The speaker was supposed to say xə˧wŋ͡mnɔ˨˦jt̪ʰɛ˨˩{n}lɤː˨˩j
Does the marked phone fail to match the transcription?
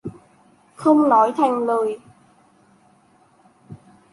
yes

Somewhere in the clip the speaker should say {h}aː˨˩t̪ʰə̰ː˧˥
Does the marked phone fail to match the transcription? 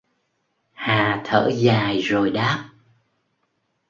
no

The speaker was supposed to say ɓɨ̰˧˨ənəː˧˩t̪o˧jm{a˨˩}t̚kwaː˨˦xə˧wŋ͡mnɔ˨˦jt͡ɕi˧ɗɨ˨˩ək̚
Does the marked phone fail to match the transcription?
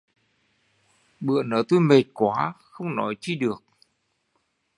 yes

